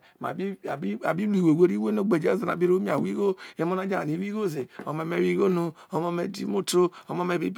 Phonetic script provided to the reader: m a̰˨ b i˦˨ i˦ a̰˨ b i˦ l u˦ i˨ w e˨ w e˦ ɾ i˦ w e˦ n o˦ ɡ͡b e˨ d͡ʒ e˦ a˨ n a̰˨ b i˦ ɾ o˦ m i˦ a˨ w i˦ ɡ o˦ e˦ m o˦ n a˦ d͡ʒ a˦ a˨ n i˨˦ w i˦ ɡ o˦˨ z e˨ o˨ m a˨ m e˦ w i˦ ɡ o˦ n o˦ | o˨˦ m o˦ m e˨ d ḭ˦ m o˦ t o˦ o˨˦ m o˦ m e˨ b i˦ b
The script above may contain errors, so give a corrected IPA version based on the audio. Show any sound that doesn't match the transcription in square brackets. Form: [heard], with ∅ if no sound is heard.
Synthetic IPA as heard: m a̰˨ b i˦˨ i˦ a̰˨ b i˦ l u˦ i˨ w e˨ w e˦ ɾ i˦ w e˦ n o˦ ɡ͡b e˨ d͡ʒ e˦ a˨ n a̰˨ b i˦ ɾ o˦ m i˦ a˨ w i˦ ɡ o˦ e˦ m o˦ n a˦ d͡ʒ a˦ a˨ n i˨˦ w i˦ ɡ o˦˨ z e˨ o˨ m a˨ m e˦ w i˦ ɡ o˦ n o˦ | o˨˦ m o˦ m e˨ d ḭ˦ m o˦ t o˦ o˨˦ m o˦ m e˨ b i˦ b